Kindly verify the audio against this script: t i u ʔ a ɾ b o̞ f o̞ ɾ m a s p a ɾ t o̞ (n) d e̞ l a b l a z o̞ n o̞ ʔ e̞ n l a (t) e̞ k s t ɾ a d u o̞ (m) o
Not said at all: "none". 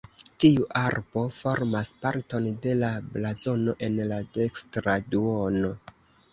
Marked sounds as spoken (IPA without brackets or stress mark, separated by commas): n, d, n